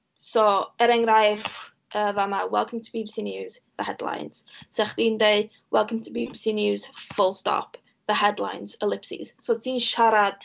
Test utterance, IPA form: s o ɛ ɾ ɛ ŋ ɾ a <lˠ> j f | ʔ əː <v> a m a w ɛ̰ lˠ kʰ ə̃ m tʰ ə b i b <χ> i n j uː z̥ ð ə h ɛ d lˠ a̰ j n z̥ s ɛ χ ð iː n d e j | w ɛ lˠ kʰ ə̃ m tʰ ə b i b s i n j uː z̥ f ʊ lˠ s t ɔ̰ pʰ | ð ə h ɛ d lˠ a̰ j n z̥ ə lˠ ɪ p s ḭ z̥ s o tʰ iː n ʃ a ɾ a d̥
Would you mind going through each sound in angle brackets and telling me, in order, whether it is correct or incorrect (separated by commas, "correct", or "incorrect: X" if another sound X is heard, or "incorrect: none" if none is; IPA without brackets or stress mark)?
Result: incorrect: none, correct, incorrect: s